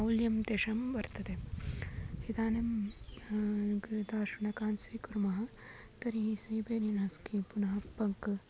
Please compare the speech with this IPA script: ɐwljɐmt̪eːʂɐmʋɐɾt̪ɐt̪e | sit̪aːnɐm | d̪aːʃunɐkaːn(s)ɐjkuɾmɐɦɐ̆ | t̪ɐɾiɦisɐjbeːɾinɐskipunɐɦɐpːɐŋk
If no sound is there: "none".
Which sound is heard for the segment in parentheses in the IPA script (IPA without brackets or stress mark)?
s